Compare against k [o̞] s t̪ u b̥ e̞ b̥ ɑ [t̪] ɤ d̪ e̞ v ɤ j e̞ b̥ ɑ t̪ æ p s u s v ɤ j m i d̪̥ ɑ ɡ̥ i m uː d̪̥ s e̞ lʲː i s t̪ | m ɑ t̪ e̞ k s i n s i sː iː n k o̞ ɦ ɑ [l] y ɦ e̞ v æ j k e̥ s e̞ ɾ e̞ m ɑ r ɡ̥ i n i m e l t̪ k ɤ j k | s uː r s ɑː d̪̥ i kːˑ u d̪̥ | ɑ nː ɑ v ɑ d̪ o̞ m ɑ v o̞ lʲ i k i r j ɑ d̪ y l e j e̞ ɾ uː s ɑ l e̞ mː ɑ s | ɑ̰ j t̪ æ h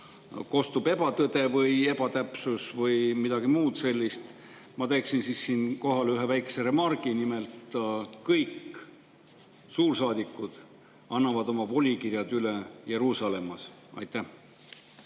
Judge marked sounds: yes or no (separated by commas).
yes, yes, yes